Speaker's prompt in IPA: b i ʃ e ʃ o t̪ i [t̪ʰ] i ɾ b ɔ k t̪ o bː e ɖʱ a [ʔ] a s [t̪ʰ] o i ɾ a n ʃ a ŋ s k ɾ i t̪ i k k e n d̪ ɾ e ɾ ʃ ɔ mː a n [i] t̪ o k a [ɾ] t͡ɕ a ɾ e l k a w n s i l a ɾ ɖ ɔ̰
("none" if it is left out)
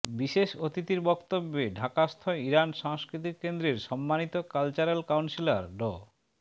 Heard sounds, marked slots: t̪, k, t̪ʰ, i, l

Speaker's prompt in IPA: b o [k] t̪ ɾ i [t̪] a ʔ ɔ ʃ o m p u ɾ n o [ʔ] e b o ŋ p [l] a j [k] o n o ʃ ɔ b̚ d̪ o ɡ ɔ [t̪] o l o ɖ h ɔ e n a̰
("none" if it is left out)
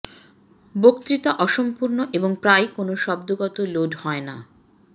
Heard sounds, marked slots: k, t̪, ʔ, ɾ, k, t̪

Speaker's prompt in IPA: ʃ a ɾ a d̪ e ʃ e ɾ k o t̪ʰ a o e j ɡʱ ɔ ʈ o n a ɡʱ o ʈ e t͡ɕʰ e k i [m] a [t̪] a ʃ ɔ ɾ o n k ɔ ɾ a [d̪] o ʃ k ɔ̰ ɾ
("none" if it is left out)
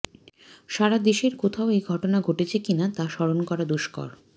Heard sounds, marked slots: n, t̪, d̪

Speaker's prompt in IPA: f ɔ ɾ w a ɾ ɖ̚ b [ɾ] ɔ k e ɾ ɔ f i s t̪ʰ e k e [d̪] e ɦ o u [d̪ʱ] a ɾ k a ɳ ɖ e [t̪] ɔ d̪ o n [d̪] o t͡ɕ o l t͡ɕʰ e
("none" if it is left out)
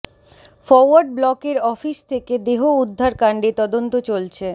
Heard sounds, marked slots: l, d̪, d̪ʱː, t̪, t̪

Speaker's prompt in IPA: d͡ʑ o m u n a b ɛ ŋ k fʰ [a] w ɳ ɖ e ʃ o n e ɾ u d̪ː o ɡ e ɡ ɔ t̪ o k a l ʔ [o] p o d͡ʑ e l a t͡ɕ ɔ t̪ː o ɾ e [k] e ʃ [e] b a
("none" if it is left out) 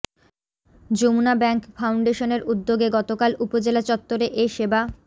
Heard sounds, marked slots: a, u, ʔ, e

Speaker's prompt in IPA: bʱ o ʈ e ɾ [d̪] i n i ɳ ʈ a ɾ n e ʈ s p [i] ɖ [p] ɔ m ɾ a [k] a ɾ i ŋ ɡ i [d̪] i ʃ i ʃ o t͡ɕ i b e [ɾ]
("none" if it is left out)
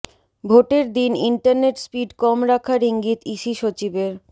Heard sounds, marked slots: d̪, i, k, kʰ, t̪, ɾ

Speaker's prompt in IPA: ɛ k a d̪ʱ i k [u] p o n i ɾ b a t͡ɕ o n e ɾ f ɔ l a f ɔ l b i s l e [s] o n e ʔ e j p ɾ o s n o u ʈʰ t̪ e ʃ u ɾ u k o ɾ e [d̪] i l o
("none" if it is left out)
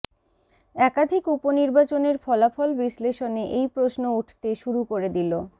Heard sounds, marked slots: u, ʃ, d̪

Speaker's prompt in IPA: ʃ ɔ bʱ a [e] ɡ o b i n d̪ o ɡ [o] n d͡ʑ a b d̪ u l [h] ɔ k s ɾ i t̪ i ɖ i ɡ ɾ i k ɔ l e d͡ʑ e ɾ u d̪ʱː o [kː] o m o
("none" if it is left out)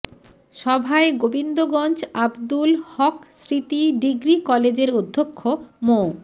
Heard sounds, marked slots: e, ɔ, h, kʰː

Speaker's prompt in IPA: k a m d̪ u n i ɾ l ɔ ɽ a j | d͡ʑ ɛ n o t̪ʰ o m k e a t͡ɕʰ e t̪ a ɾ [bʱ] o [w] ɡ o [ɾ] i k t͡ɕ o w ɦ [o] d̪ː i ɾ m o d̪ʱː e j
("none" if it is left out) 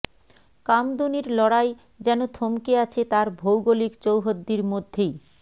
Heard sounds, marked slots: bʱ, w, l, o

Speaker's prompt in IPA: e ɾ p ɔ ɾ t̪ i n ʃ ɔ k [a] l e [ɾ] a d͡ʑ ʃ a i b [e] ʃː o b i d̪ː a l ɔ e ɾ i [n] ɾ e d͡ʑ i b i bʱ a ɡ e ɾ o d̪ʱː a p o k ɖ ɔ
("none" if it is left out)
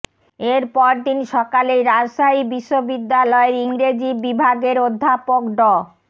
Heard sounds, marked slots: a, ɾ, i, ŋ

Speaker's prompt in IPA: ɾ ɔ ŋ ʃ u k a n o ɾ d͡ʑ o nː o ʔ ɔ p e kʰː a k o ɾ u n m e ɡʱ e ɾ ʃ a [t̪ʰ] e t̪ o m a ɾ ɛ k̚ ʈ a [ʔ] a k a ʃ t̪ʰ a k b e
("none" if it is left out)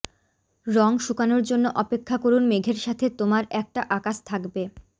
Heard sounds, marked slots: t̪ʰ, ʔ

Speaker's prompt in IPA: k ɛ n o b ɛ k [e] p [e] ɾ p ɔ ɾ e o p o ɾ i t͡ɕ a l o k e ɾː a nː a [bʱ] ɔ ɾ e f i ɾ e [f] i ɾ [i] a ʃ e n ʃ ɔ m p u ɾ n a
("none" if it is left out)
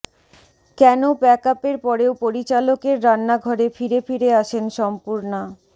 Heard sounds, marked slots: a, e, ɡʱ, f, e

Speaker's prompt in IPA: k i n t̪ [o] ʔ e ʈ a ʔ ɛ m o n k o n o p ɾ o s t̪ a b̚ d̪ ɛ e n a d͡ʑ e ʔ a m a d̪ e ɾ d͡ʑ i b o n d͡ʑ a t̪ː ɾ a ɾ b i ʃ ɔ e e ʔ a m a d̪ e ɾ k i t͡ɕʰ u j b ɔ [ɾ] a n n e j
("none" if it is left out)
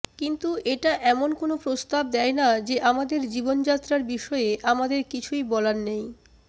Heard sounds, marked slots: u, l

